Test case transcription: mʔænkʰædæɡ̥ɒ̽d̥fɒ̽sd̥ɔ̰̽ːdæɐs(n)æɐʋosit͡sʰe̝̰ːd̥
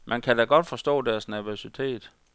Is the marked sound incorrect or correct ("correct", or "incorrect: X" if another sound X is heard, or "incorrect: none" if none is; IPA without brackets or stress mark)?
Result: correct